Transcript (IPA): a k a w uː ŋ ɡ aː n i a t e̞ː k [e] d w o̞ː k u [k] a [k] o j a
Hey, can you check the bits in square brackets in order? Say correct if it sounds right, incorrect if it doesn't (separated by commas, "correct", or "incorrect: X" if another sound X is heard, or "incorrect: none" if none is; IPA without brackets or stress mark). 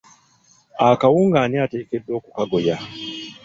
correct, correct, incorrect: ɡ